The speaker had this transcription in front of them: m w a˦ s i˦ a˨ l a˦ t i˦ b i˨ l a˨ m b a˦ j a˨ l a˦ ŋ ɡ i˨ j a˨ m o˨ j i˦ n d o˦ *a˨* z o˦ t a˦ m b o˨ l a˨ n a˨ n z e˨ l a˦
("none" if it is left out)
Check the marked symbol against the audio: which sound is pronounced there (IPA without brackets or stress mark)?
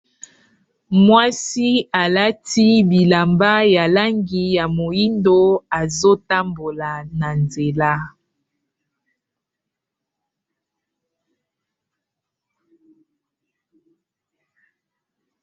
a˨